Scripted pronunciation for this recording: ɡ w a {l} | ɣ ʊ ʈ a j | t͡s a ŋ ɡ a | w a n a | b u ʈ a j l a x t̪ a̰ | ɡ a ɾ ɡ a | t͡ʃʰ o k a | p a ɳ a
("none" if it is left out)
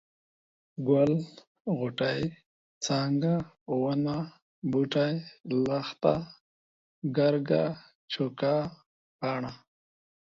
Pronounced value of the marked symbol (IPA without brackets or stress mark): l